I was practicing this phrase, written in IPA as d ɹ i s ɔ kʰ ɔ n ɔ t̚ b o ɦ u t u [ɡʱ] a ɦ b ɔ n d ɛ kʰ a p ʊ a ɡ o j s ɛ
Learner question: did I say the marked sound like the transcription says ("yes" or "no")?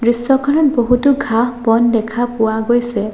yes